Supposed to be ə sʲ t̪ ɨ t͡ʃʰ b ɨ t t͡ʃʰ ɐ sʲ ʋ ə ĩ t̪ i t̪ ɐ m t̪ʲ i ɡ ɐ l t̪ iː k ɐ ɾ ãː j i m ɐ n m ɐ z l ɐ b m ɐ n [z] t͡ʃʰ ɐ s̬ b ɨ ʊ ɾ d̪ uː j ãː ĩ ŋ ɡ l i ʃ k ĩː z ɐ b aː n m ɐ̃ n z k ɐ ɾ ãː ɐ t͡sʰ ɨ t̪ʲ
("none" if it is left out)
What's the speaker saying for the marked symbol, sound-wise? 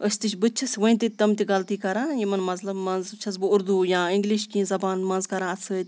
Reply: z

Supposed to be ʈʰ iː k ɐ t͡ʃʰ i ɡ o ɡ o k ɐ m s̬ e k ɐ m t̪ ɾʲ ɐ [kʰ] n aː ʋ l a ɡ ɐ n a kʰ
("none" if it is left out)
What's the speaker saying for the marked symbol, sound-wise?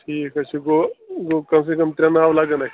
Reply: none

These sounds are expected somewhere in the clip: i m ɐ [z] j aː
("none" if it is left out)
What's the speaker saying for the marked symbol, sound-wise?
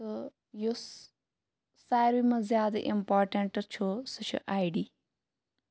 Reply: z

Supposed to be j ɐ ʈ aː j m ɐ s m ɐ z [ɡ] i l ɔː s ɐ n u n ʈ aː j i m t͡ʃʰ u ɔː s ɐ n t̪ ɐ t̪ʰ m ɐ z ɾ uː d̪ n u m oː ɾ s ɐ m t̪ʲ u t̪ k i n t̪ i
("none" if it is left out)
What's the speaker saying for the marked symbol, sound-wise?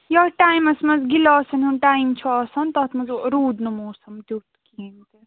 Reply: ɡ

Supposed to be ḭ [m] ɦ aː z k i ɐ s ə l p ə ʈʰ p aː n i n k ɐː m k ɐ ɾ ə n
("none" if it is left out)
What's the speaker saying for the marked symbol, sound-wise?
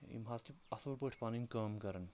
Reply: m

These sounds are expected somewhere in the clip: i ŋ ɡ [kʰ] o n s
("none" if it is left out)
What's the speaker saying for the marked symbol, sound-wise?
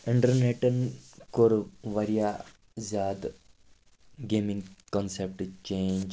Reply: k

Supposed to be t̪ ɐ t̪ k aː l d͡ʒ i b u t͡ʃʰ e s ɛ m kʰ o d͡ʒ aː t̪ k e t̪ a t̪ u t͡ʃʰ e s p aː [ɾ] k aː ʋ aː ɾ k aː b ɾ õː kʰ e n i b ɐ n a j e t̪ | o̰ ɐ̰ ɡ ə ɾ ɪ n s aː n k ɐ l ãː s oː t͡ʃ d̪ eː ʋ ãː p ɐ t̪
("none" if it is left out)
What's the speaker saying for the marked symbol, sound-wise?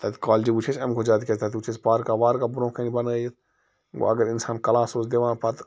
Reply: ɾ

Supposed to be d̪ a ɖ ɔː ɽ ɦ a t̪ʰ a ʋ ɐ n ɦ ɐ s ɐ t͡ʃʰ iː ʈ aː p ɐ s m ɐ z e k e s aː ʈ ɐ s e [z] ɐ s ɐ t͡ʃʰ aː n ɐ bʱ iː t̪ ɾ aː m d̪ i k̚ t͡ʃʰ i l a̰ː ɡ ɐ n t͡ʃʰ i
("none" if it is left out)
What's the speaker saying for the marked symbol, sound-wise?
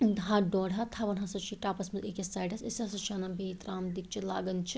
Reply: s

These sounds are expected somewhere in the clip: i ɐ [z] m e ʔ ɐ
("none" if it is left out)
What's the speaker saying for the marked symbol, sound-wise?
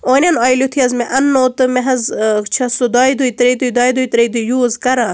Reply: z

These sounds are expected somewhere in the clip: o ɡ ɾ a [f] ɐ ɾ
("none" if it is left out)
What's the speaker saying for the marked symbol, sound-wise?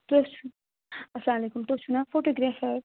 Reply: f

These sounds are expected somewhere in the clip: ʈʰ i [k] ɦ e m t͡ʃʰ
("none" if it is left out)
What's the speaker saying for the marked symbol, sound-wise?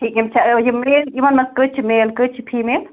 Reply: k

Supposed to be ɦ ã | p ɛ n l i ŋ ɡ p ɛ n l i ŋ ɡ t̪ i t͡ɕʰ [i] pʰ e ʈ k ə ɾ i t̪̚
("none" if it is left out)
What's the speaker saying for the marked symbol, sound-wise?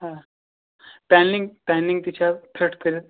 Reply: a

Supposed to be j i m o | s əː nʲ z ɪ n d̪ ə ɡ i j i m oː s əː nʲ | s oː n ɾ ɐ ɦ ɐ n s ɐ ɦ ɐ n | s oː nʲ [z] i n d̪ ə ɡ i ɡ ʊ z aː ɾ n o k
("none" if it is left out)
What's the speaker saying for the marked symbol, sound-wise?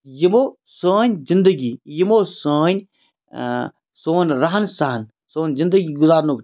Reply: z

